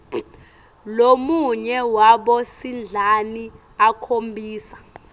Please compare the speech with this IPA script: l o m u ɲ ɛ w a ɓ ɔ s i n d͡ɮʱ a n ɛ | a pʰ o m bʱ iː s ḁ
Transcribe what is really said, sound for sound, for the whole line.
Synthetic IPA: l o m u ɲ ɛ w a ɓ ɔ s i n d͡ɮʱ a n i | a kʰ o m bʱ iː s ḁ